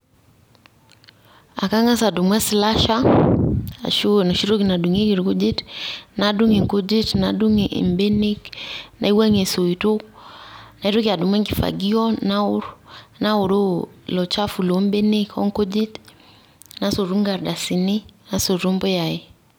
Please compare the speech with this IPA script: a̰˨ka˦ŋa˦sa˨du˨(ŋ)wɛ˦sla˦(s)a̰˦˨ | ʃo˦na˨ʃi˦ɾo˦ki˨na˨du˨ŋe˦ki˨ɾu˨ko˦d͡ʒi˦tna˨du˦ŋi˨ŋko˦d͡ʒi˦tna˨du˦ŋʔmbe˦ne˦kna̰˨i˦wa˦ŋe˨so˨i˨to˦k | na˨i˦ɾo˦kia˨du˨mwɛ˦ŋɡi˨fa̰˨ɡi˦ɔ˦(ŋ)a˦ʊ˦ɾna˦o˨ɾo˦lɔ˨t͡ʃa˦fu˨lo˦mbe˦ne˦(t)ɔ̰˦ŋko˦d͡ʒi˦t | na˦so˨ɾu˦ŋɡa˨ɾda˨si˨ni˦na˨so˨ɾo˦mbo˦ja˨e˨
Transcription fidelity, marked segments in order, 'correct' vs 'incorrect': incorrect, incorrect, incorrect, incorrect

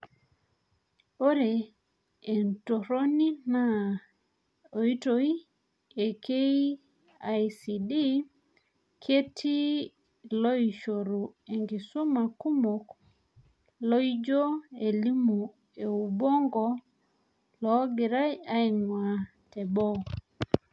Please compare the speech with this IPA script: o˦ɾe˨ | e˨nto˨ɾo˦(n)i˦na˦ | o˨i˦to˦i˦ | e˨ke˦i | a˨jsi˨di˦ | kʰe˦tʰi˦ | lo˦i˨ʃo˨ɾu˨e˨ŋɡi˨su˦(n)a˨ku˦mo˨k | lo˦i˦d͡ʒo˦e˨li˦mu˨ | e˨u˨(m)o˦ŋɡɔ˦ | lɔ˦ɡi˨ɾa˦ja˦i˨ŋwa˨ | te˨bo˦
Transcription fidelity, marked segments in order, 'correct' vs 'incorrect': correct, incorrect, incorrect

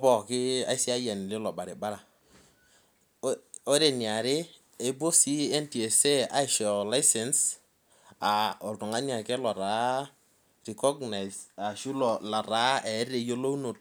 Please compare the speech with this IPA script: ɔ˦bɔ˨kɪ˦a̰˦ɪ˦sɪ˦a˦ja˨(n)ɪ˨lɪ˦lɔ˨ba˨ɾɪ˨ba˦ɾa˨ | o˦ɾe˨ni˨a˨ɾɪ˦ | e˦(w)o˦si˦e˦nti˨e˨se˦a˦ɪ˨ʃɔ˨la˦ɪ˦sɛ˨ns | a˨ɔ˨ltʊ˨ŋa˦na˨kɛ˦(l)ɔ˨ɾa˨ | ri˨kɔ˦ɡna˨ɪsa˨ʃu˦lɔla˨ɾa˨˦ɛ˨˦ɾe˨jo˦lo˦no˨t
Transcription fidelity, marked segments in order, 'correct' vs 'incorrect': correct, incorrect, correct

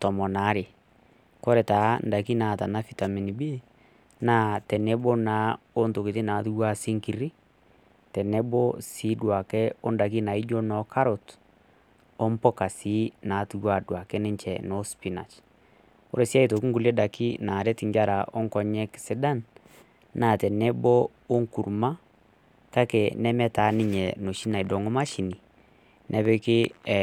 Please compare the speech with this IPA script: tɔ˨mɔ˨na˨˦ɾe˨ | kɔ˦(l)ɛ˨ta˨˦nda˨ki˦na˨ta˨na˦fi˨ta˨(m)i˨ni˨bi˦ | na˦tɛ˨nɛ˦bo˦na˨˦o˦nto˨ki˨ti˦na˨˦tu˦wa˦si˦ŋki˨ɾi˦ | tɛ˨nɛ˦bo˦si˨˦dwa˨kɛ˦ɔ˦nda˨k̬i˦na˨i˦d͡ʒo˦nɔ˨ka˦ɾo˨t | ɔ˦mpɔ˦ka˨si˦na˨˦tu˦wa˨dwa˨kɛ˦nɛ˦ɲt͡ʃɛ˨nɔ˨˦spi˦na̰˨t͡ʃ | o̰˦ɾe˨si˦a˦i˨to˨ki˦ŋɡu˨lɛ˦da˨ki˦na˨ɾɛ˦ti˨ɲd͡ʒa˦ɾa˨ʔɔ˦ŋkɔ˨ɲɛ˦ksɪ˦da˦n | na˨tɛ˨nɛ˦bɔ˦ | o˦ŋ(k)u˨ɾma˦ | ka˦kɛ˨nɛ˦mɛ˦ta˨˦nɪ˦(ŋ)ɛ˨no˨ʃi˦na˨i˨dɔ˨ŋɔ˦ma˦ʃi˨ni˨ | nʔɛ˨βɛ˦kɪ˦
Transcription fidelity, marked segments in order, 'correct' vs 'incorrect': incorrect, correct, correct, incorrect

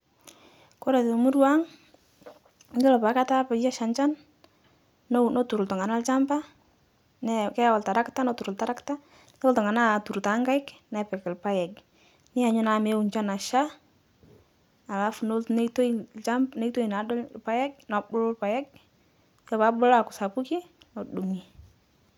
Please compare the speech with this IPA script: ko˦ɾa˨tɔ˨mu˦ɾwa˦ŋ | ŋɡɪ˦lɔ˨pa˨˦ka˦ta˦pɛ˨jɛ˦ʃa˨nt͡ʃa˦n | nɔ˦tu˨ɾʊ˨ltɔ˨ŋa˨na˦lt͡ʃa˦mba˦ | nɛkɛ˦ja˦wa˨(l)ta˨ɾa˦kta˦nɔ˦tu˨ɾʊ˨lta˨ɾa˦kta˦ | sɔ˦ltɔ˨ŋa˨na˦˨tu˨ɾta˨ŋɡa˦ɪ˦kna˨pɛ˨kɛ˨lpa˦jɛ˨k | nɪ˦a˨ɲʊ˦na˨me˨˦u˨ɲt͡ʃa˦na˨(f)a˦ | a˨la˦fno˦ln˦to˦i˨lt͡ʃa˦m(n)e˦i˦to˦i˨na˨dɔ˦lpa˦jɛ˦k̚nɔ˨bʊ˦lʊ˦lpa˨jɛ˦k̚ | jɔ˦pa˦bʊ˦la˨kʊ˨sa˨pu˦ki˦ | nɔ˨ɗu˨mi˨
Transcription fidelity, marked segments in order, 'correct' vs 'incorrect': correct, incorrect, correct

